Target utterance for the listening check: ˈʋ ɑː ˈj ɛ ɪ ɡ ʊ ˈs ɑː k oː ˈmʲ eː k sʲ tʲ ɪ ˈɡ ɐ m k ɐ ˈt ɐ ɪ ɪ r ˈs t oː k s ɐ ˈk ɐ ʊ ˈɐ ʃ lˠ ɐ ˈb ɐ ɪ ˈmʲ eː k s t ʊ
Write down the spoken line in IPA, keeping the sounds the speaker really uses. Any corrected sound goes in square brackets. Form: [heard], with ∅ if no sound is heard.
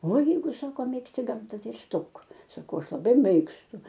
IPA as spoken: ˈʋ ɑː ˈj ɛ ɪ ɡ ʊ ˈs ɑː k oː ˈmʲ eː k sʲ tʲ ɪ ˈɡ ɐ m [t] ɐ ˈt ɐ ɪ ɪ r ˈs t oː k s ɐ ˈk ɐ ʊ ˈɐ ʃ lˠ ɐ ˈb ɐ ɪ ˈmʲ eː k s t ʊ